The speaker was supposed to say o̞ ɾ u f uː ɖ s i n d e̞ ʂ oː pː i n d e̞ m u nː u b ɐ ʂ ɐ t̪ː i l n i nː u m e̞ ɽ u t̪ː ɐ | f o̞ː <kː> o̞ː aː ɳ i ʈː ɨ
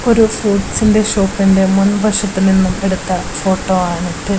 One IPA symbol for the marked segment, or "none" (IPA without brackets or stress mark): ʈː